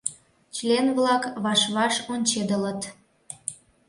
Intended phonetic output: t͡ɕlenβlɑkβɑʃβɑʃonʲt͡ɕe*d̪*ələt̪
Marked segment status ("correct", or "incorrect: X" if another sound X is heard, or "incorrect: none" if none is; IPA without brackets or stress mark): correct